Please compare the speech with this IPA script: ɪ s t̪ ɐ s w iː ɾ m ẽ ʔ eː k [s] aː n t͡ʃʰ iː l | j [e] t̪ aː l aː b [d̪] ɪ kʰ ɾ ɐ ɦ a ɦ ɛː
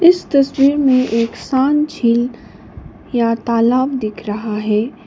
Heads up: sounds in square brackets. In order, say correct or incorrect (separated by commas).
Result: correct, incorrect, correct